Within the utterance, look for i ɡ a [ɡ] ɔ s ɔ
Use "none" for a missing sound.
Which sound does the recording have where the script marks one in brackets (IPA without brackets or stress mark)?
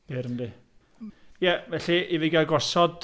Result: ɡ